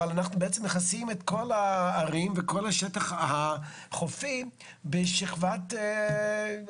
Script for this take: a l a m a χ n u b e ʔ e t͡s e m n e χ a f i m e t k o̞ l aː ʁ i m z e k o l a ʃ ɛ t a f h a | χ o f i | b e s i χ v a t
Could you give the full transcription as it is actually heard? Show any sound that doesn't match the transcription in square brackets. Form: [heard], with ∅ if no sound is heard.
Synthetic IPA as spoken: a l a [n] a χ n u b e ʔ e t͡s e m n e χ a [s] i m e t k o̞ l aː ʁ i m [v] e k o l a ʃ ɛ t a [χ] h a | χ o f i | b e [ʃ] i χ v a t